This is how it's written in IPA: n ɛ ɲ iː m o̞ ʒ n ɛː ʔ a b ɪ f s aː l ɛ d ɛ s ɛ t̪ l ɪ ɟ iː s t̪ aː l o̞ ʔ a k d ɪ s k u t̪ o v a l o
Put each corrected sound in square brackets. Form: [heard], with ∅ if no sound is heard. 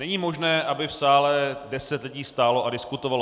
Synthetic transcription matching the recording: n ɛ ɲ iː m o̞ ʒ n ɛː ʔ a b ɪ f s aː l ɛ d ɛ s ɛ t̪ l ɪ ɟ iː s t̪ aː l o̞ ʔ a [∅] d ɪ s k u t̪ o v a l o